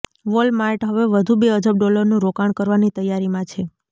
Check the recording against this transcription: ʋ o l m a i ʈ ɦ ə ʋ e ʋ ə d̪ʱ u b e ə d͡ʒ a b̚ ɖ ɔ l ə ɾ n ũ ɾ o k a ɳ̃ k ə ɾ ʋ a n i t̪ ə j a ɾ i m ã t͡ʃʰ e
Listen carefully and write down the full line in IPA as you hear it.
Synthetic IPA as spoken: ʋ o l m a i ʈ ɦ ə ʋ e ʋ ə d̪ʱ u b e ə d͡ʒ ə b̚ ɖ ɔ l ə ɾ n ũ ɾ o k a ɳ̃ k ə ɾ ʋ a n i t̪ ə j a ɾ i m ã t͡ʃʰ e

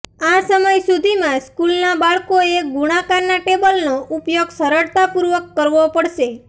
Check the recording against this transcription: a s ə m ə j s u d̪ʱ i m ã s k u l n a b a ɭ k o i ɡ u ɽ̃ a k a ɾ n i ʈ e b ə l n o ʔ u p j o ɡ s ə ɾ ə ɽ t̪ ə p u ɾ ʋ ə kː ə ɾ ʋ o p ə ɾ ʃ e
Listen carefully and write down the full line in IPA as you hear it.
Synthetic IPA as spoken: a s ə m ə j s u d̪ʱ i m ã s k u l n a b a ɭ k o e ɡ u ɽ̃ a k a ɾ n a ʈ e b ə l n o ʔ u p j o ɡ s ə ɾ ə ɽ t̪ a p u ɾ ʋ ə kː ə ɾ ʋ o p ə ɽ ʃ e

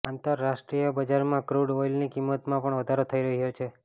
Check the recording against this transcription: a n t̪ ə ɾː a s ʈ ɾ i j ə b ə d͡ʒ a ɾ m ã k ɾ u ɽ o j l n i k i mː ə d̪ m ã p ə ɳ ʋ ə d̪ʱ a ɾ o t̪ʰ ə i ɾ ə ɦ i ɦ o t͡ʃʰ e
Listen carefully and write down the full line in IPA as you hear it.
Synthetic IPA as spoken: a n t̪ ə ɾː a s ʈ ɾ i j ə b ə d͡ʒ a ɾ m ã k ɾ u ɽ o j l n i k i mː ə t̪ m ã p ə ɳ ʋ ə d̪ʱ a ɾ o t̪ʰ ə i ɾ ə ɦ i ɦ o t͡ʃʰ e

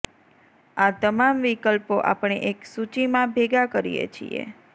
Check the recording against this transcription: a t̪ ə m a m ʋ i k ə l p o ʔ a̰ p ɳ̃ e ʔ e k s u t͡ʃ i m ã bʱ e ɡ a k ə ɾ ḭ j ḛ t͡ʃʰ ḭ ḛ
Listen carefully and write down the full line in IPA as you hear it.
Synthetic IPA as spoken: a t̪ ə m a m ʋ i k ə l p o ʔ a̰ p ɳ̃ e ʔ e k s u t͡ʃ i m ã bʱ e ɡ a k ə ɾ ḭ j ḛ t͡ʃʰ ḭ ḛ

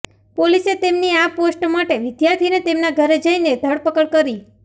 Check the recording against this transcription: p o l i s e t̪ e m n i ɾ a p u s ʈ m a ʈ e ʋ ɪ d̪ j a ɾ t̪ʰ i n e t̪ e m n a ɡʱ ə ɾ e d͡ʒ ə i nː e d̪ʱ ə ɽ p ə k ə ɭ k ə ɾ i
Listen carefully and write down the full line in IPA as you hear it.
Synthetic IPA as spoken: p o l i s e t̪ e m n i a p o s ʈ m a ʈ e ʋ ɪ d̪ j a ɾ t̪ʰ i n e t̪ e m n a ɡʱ ə ɾ e d͡ʒ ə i n e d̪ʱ ə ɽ p ə k ə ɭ k ə ɾ i

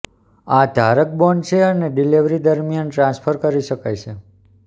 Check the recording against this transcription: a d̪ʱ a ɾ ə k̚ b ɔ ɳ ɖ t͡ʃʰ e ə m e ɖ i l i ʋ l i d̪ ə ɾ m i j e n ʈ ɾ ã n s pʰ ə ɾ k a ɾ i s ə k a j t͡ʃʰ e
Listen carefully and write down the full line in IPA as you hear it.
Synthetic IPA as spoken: a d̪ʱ a ɾ ə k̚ b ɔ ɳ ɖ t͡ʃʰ e ə n e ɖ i l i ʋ ɾ i d̪ ə ɾ m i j a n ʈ ɾ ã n s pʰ ə ɾ k ə ɾ i ʃ ə k a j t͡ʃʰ e

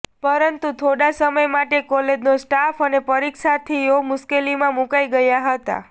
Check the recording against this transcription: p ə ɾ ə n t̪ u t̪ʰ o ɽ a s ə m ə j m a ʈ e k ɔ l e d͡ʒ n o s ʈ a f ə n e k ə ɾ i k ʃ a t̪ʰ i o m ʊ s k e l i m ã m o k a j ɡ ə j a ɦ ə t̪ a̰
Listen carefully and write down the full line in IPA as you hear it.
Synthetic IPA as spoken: p ə ɾ ə n t̪ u t̪ʰ o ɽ a s ə m ə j m a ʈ e k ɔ l e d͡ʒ n o s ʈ a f ə n e p ə ɾ i k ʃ a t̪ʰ i o m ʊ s k e l i m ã m u k a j ɡ ə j a ɦ ə t̪ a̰

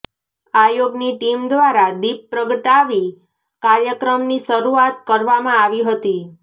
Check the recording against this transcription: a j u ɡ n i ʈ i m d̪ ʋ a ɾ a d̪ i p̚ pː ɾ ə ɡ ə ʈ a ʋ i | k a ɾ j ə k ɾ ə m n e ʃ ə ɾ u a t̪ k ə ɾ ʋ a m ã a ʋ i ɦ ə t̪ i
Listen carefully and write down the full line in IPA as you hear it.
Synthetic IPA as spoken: a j o ɡ n i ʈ i m d̪ ʋ a ɾ a d̪ i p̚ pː ɾ ə ɡ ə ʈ a ʋ i | k a ɾ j ə k ɾ ə m n i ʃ ə ɾ u a t̪ k ə ɾ ʋ a m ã a ʋ i ɦ ə t̪ i

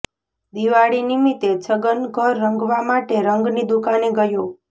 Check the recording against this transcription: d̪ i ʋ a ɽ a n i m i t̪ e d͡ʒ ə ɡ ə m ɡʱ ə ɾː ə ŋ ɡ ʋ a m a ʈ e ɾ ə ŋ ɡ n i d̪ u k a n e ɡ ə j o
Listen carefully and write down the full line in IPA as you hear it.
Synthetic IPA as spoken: d̪ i ʋ a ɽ i n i m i t̪ e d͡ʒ ə ɡ ə n ɡʱ ə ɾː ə ŋ ɡ ʋ a m a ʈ e ɾ ə ŋ ɡ n i d̪ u k a n e ɡ ə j o

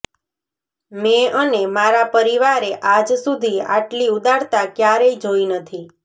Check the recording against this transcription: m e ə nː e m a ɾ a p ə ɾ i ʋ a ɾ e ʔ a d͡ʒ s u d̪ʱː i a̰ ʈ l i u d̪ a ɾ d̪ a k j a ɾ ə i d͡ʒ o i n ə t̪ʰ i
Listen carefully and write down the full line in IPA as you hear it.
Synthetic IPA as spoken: m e ə n e m a ɾ a p ə ɾ i ʋ a ɾ e ʔ a d͡ʒ s u d̪ʱ i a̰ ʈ l i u d̪ a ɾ t̪ a k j a ɾ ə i d͡ʒ o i n ə t̪ʰ i

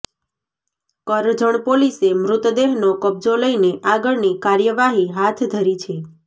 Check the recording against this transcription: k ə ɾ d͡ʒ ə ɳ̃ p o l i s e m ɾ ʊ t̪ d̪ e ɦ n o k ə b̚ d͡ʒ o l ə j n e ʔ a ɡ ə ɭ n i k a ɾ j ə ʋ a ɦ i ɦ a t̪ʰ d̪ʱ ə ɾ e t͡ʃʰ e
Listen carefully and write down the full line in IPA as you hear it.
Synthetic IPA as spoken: k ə ɾ d͡ʒ ə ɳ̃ p o l i s e m ɾ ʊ t̪ d̪ e ɦ n o k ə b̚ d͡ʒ o l ə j n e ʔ a ɡ ə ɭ n i k a ɾ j ə ʋ a ɦ i ɦ a t̪ʰ d̪ʱ ə ɾ i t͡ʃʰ e

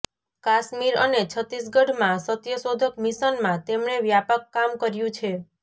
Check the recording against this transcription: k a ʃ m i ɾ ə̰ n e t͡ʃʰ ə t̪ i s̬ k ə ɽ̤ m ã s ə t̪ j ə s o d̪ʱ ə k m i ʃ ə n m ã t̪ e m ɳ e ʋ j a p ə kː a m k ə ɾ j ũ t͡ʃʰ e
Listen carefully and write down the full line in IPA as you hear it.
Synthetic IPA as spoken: k a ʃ m i ɾ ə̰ n e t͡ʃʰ ə t̪ i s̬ ɡ ə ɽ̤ m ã s ə t̪ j ə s o d̪ʱ ə k m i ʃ ə n m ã t̪ e m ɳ e ʋ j a p ə kː a m k ə ɾ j ũ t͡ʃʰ e

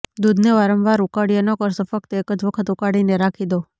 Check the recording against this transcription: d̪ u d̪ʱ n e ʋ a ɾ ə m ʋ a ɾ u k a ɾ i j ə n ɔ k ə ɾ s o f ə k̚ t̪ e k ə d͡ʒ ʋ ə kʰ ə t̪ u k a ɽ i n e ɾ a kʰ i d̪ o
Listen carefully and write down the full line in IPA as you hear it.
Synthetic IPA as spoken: d̪ u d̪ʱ n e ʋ a ɾ ə m ʋ a ɾ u k a ɽ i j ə n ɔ k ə ɾ s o f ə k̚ t̪ e k ə d͡ʒ ʋ ə kʰ ə t̪ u k a ɽ i n e ɾ a kʰ i d̪ o

